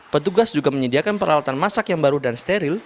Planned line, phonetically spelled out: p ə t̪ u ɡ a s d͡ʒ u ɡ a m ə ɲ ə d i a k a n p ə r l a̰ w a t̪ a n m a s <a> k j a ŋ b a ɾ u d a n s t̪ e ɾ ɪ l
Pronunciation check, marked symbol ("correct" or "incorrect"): correct